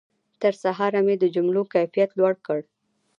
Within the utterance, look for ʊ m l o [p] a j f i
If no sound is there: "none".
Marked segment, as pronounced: k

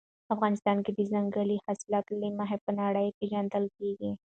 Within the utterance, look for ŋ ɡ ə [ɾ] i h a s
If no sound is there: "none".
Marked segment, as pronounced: l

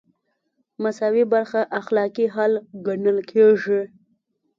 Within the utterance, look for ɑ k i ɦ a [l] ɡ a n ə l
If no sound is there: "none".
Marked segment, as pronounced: l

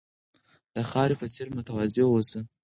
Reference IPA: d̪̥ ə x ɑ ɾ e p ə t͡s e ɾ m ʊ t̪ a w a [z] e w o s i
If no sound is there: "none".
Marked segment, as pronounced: z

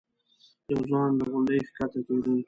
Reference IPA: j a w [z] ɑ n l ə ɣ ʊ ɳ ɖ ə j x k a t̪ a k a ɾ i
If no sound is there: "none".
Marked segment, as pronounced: z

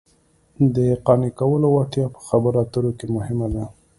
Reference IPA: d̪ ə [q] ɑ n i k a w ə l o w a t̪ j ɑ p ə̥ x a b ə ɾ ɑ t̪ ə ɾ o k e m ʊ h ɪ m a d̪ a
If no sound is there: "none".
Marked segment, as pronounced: q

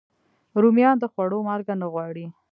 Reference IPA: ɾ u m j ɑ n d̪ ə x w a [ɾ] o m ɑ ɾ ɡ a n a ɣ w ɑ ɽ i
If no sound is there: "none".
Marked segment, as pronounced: ɽ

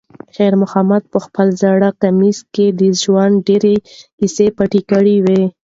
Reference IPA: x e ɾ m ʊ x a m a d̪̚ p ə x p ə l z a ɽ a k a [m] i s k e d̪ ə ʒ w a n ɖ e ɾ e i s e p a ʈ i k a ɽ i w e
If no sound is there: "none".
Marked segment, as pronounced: m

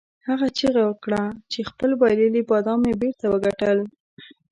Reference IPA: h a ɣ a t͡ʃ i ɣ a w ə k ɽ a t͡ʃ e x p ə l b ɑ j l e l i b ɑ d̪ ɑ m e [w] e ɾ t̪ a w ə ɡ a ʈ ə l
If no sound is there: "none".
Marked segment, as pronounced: b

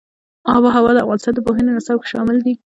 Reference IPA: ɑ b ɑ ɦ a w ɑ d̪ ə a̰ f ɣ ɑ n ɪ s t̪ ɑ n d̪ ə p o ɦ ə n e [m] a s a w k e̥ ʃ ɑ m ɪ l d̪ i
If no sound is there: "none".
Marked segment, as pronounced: n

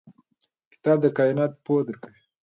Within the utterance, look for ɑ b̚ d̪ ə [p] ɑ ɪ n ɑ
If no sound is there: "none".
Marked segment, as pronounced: k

